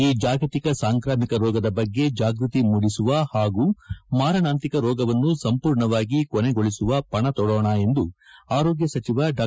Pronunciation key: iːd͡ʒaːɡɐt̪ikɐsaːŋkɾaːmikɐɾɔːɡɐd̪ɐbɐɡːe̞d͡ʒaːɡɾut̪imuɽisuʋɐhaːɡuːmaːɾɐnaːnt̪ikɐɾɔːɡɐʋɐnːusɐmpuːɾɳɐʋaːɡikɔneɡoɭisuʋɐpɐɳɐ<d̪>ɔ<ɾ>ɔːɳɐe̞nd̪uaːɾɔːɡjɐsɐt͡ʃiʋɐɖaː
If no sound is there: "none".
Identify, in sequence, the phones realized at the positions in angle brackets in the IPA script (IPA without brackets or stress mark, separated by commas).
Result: t̪, ɽ